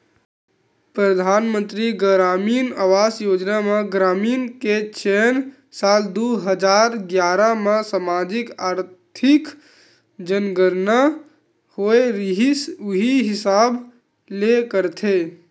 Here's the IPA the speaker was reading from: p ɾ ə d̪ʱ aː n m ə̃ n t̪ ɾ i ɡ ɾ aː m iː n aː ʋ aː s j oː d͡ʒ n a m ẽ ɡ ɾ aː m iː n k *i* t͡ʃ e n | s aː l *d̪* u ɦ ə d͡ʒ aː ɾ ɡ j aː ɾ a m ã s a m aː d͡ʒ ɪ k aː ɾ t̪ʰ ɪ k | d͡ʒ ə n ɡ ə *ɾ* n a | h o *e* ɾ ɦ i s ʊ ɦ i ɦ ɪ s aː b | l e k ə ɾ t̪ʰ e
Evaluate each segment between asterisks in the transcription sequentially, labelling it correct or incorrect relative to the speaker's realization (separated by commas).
incorrect, correct, correct, correct